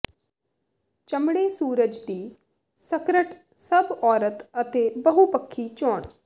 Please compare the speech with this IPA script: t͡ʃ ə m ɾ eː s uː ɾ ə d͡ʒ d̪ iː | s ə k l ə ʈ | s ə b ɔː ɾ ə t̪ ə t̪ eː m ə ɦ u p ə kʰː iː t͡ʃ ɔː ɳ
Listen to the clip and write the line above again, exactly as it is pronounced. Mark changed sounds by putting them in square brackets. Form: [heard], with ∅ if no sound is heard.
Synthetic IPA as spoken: t͡ʃ ə m [ɽ] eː s uː ɾ ə d͡ʒ d̪ iː | s ə k [ɾ] ə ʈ | s ə b ɔː ɾ ə t̪ ə t̪ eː [b] ə ɦ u p ə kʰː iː t͡ʃ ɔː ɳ

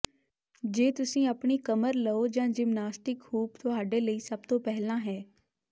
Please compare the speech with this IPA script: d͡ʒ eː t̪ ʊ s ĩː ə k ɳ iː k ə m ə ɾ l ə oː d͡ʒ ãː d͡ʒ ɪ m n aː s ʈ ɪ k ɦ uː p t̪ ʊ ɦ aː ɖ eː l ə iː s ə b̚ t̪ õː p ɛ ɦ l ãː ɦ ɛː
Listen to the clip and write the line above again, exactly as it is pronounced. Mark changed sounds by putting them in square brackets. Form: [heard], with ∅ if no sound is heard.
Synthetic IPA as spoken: d͡ʒ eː t̪ ʊ s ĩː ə [p] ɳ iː k ə m ə ɾ l ə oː d͡ʒ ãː d͡ʒ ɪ m n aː s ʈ ɪ k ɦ uː p t̪ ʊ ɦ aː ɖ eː l ə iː s ə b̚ t̪ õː p ɛ ɦ l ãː ɦ ɛː

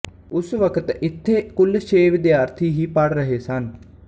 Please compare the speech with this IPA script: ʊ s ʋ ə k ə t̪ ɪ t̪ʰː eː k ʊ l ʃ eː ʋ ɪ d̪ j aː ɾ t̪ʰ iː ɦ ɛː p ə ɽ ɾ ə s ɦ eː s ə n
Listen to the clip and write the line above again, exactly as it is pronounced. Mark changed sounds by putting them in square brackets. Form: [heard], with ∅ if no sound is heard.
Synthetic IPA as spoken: ʊ s ʋ ə k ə t̪ ɪ t̪ʰː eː k ʊ l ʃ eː ʋ ɪ d̪ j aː ɾ t̪ʰ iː ɦ [iː] p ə ɽ ɾ ə [∅] ɦ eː s ə n

